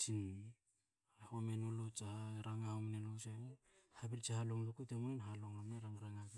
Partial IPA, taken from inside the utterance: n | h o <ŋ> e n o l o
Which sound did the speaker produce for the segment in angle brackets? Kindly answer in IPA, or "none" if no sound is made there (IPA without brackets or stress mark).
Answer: m